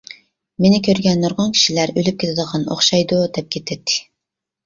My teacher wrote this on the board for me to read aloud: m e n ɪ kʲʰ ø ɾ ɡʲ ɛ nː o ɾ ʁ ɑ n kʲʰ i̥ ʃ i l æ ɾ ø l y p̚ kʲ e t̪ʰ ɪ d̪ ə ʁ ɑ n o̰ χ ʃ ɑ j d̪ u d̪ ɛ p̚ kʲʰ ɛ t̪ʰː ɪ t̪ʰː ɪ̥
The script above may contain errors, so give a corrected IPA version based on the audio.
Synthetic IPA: m e n ɪ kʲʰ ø ɾ ɡʲ ɛ nː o ɾ ʁ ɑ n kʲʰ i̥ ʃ i l æ ɾ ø l y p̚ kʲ e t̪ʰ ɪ d̪ ə ʁ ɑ n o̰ χ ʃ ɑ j d̪ u d̪ ɛ p̚ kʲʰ e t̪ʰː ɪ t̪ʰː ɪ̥